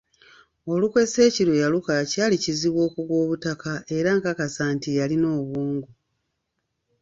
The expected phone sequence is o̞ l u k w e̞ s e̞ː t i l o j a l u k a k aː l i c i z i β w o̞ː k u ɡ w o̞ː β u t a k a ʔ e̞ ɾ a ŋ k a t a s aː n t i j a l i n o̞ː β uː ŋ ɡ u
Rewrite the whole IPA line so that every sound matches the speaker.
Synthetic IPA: o̞ l u k w e̞ s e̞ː c i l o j a l u k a c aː l i c i z i β w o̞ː k u ɡ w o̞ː β u t a k a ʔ e̞ ɾ a ŋ k a k a s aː n t i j a l i n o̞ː β uː ŋ ɡ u